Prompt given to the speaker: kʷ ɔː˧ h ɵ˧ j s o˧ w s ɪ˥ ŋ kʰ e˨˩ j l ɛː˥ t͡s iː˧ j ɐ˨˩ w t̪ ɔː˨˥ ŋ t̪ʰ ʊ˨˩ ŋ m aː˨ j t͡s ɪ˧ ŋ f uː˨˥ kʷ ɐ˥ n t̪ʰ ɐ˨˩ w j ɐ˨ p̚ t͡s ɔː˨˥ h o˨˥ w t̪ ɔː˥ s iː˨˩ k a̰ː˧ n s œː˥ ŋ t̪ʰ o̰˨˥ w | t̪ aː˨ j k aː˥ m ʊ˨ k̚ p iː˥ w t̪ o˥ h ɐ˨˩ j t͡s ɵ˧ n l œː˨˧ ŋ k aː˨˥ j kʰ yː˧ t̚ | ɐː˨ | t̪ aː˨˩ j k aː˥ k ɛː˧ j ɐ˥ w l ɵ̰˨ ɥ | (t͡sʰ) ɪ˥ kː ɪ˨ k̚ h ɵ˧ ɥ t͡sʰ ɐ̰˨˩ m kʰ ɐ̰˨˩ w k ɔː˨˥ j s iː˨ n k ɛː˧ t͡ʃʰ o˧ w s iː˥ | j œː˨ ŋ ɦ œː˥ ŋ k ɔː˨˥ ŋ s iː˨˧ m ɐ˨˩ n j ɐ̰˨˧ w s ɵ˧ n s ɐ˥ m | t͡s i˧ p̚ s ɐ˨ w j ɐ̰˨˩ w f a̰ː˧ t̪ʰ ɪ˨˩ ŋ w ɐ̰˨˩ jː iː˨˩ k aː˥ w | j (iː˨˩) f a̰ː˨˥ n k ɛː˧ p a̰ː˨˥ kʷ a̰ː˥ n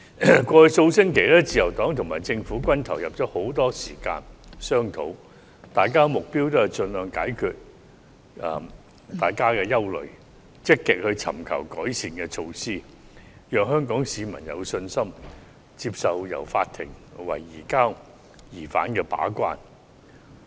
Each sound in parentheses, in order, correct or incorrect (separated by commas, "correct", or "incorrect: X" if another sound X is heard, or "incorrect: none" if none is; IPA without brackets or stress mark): incorrect: t͡s, correct